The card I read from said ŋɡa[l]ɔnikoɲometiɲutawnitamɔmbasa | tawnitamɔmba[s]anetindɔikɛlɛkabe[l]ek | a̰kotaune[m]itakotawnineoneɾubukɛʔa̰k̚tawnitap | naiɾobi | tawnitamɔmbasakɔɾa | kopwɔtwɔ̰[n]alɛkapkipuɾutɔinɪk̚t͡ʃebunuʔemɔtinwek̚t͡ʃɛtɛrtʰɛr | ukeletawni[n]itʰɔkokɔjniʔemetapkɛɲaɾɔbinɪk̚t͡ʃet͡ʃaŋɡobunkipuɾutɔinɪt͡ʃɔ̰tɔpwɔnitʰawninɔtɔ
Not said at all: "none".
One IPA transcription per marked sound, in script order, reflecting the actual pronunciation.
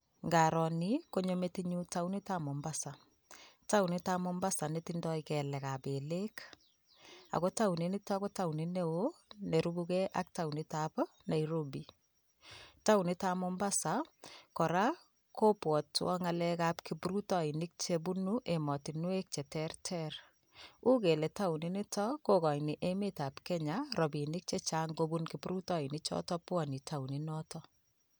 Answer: ɾ, s, l, n, ŋ, n

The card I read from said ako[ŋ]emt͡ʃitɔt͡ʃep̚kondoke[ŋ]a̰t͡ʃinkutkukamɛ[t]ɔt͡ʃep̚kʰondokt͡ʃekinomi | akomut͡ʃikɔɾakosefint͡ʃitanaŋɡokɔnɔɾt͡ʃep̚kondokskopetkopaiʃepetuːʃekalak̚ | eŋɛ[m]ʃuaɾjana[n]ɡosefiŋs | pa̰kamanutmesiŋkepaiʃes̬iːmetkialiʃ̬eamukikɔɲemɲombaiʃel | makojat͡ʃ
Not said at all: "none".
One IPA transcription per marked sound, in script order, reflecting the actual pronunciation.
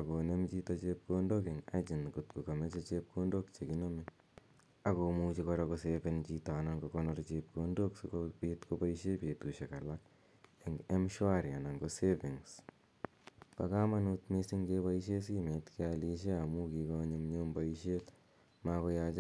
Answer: n, ŋ, t͡ʃ, m, ŋ

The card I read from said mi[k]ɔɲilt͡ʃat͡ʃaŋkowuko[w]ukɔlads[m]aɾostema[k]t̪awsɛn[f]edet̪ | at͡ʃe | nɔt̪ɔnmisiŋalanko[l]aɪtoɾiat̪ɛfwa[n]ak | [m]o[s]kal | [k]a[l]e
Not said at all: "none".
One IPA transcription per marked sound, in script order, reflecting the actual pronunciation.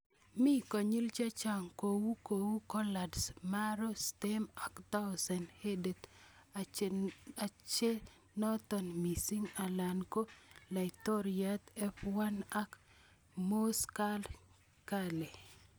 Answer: k, w, m, k, h, l, n, m, s, k, l

